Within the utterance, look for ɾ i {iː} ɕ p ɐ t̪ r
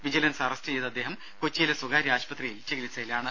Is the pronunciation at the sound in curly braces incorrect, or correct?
incorrect